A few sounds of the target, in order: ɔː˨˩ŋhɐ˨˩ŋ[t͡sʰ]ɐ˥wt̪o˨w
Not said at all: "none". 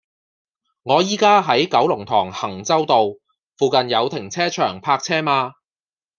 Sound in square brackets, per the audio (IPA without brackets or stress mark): t͡s